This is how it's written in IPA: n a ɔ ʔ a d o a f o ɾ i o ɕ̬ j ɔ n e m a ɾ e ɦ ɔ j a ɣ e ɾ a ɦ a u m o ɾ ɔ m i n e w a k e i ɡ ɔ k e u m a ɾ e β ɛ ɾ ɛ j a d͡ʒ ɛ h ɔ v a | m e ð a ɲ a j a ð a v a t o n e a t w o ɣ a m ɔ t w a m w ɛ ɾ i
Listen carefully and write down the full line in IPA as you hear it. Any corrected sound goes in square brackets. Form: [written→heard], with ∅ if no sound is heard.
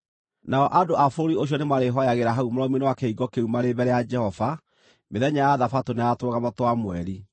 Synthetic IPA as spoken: n a ɔ ʔ a d o a f o ɾ i o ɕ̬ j ɔ n e m a ɾ e ɦ ɔ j a ɣ e ɾ a ɦ a u m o ɾ ɔ m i n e w a k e i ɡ ɔ k e u m a ɾ e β ɛ ɾ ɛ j a d͡ʒ ɛ h ɔ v a | m e ð [a→ɛ] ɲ a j a ð a [v→f] a t o n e a t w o ɣ a m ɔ t w a m w ɛ ɾ i